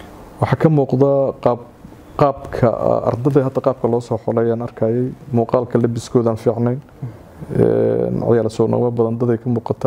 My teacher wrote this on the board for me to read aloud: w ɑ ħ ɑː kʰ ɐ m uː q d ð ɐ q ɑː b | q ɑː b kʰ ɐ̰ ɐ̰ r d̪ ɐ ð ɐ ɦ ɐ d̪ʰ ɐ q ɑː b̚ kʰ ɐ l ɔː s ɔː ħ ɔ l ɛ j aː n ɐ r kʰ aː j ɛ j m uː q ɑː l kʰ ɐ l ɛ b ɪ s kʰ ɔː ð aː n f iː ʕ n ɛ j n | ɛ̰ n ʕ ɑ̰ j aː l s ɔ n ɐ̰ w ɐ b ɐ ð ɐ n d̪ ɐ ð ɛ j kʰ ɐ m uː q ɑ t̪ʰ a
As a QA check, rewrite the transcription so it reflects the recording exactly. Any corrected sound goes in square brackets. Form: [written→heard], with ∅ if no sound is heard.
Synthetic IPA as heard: w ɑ ħ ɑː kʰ ɐ m uː q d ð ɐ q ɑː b | q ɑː b kʰ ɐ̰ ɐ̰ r d̪ ɐ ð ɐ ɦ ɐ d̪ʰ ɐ q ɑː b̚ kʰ ɐ l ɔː s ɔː ħ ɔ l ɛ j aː n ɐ r kʰ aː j ɛ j m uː q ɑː l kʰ ɐ l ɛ b ɪ s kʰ ɔː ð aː n f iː ʕ n ɛ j n | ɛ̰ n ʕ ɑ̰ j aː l s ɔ n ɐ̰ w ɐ b ɐ ð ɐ n d̪ ɐ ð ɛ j kʰ ɐ m uː q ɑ t̪ʰ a